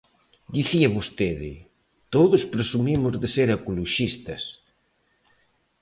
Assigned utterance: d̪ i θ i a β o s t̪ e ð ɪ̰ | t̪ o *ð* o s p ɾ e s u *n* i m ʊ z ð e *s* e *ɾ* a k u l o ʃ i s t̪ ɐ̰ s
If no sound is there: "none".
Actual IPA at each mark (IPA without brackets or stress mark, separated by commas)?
ð, m, s, ɾ